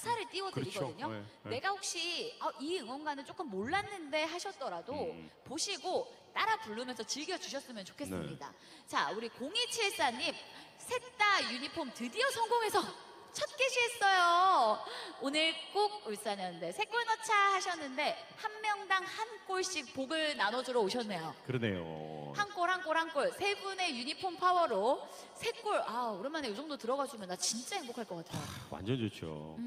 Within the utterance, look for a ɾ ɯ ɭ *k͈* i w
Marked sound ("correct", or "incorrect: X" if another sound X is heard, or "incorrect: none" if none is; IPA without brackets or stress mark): incorrect: t͈